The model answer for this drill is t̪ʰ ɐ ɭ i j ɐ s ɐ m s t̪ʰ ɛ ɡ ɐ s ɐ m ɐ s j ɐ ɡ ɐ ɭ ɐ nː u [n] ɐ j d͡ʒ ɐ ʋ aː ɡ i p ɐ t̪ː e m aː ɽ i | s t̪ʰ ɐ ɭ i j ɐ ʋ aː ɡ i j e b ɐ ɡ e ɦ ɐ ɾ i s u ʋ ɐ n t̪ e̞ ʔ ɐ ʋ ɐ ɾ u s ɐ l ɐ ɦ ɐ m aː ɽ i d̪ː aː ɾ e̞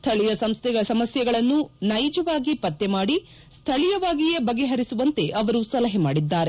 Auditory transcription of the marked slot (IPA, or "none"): n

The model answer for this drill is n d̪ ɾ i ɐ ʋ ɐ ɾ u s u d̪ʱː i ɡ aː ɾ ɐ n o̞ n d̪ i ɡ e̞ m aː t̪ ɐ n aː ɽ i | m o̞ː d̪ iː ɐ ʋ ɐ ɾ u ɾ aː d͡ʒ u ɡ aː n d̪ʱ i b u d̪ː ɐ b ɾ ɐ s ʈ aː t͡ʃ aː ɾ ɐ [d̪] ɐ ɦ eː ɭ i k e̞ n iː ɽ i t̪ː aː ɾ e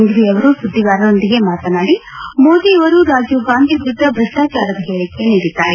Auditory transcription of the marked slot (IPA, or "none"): d̪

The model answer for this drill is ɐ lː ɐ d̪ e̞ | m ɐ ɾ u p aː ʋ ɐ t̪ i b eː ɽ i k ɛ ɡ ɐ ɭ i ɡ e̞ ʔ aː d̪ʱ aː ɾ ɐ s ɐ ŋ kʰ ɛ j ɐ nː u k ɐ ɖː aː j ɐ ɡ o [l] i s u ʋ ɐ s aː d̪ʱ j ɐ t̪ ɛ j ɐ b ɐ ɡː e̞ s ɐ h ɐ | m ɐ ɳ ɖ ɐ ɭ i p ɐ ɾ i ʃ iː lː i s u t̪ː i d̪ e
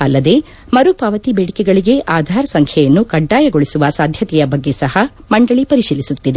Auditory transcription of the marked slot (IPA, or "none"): ɭ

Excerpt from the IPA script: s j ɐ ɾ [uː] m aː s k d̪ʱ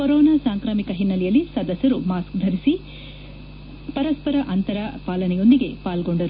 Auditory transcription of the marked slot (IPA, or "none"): u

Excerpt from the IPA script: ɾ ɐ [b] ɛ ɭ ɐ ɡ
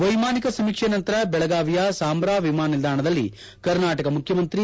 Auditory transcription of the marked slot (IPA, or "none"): b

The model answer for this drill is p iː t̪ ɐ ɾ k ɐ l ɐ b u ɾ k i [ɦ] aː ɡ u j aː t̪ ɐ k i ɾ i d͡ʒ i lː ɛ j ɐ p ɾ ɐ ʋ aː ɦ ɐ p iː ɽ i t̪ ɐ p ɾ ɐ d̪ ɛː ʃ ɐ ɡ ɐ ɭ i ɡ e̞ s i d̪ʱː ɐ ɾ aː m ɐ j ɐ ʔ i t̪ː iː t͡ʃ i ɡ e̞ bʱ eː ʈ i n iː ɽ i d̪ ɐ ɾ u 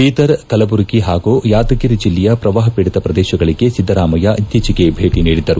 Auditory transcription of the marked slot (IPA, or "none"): ɦ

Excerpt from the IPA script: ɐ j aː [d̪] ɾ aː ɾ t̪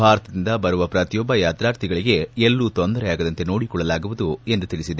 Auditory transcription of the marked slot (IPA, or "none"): t̪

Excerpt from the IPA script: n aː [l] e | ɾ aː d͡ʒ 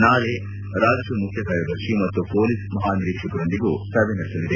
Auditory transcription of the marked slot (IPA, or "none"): l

